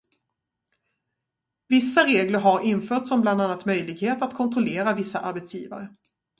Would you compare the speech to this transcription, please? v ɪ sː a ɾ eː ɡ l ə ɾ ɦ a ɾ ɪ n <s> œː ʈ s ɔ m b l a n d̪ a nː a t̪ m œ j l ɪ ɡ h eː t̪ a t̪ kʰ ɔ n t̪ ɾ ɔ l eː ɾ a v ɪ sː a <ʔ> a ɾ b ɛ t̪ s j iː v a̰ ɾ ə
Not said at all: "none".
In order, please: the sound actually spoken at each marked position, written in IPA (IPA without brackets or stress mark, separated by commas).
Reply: f, ʔ